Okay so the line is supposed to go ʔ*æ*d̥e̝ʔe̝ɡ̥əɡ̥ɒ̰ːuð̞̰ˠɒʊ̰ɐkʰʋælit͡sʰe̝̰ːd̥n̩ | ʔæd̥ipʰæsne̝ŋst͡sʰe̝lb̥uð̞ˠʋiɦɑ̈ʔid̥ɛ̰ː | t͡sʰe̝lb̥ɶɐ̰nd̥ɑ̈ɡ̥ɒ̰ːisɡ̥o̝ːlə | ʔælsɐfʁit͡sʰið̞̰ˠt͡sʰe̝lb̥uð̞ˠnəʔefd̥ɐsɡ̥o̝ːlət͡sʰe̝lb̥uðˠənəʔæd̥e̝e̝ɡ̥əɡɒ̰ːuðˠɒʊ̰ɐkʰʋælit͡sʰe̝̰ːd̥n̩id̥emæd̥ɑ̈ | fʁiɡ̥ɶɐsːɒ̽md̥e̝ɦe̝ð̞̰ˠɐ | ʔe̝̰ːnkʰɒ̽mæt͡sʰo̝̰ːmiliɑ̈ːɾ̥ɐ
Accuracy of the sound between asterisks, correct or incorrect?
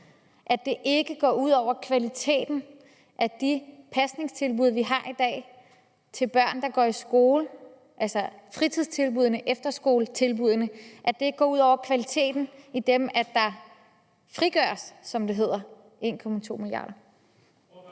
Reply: correct